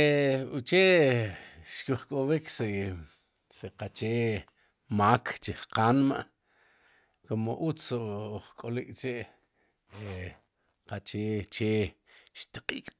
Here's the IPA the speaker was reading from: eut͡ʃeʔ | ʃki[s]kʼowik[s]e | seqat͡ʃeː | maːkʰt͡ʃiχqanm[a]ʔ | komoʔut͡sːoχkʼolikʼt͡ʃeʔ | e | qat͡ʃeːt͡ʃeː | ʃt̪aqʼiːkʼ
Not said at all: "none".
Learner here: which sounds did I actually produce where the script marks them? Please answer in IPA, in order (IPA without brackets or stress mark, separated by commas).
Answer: χ, s, a